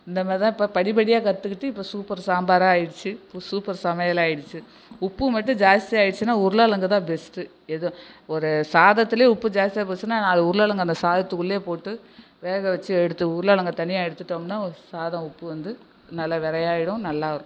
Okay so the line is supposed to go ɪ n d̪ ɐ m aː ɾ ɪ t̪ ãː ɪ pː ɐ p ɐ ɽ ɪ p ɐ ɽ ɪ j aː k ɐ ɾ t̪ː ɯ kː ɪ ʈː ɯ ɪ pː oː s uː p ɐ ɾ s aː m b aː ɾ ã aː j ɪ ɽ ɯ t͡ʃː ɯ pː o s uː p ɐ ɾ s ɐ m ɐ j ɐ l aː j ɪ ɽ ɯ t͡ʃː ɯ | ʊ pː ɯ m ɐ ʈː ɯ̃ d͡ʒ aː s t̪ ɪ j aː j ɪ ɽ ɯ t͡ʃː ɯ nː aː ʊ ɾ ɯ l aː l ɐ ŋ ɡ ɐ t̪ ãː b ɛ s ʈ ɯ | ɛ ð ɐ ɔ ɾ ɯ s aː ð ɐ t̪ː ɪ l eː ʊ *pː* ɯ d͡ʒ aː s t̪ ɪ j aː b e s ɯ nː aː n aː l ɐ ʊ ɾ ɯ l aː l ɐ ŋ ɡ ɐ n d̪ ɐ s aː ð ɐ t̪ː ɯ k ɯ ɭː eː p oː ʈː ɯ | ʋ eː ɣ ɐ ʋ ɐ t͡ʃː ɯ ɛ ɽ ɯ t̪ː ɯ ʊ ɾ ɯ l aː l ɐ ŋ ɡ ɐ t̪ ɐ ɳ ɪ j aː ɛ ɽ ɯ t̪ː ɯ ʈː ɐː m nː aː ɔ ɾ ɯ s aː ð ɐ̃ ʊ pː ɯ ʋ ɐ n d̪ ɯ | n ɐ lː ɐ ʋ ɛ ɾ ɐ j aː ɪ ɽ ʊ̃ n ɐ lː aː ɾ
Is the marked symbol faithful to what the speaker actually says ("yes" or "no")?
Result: yes